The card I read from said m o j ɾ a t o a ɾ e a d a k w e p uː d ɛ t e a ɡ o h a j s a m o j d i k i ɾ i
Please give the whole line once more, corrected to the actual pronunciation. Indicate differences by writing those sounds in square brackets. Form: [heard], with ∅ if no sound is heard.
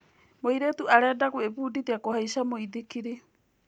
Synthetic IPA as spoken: m o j ɾ [e] t [u] a ɾ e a d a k [u] e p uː d [i] t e a [k] o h a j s a m o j d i k i ɾ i